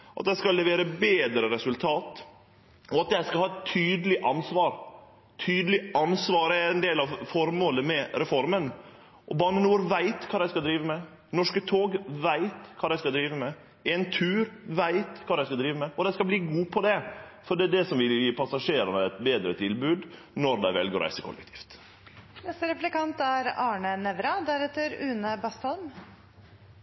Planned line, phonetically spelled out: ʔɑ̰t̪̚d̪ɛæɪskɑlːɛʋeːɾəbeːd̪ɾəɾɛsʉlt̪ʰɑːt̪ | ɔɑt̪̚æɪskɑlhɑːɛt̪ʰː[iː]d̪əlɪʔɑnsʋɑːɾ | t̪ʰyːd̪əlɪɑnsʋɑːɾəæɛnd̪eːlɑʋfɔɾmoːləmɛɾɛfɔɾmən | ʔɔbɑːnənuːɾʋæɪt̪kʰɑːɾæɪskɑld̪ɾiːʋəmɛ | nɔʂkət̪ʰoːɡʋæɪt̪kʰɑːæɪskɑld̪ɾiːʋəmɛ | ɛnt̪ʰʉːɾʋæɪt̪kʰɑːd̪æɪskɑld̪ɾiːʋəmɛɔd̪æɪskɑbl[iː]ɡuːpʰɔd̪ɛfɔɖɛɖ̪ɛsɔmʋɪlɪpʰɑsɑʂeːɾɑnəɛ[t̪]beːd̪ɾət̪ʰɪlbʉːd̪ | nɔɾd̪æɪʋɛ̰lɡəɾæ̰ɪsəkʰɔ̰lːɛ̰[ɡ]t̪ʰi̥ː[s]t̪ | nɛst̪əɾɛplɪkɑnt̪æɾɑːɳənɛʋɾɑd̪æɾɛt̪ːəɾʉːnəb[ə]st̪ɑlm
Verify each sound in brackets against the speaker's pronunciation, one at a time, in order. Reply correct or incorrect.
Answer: incorrect: yː, correct, correct, incorrect: k, incorrect: f, incorrect: ɑ

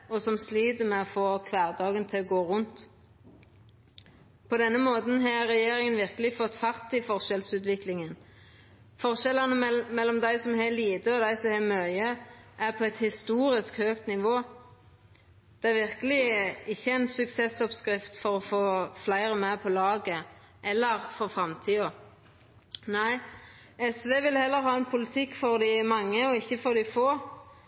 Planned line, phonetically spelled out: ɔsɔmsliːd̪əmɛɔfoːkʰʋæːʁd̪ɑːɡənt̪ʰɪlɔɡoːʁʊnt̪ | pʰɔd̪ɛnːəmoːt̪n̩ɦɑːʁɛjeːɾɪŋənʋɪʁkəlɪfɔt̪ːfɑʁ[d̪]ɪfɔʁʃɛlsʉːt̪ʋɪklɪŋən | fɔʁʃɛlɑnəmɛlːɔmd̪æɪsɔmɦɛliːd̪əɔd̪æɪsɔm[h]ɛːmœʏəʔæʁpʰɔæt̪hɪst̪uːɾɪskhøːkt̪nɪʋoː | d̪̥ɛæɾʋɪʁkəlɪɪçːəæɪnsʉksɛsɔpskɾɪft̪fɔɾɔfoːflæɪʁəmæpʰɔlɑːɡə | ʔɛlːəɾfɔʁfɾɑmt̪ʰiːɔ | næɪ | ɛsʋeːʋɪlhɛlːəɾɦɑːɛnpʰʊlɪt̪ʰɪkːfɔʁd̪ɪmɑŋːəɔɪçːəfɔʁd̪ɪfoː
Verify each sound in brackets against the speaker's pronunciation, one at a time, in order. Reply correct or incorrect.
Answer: incorrect: t̪, correct

